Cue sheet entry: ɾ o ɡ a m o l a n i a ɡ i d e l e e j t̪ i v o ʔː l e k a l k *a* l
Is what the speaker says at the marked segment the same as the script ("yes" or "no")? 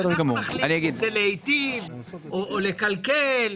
no